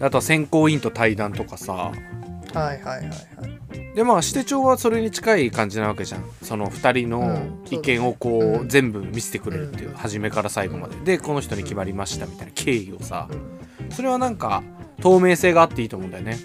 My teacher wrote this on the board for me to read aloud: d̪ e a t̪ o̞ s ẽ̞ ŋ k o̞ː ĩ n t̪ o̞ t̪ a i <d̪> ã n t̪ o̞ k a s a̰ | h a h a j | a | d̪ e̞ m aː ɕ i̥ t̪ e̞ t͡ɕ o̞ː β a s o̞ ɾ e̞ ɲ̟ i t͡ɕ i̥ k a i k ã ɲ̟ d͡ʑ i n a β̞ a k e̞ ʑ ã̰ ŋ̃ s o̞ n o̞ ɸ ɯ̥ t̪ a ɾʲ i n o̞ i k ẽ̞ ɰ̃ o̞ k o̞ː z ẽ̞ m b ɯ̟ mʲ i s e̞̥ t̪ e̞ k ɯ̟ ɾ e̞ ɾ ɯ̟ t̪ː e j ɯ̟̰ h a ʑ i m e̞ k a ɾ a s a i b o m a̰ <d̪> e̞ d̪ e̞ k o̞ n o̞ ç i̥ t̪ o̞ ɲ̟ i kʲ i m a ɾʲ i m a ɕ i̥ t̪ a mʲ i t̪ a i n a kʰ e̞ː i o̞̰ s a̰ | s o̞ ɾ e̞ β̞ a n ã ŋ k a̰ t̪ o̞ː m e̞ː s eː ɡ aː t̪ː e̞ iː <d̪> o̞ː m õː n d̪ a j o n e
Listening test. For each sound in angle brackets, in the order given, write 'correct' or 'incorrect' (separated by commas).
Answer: correct, correct, incorrect